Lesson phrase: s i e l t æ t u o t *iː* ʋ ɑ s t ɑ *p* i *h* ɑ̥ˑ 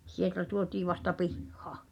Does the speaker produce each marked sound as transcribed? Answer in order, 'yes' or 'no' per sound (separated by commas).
yes, yes, no